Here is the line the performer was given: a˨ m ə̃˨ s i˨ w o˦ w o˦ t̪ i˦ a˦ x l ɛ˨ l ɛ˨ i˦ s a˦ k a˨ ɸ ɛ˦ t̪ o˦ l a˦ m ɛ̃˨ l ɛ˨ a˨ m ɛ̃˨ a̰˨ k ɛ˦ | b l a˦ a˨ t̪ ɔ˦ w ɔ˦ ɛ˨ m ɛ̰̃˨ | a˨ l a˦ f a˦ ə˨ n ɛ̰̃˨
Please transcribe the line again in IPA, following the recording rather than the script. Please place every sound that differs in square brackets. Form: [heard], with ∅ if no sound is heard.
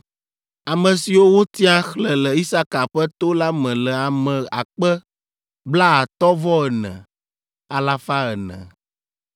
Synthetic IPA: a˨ m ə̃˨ s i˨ w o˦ w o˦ t̪ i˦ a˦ x l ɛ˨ l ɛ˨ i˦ s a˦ k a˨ ɸ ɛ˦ t̪ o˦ l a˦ m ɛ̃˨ l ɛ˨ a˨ m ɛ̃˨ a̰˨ [k͡p] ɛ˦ | b l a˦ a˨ t̪ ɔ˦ [v] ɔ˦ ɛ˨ [n] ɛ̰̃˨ | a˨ l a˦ f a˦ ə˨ n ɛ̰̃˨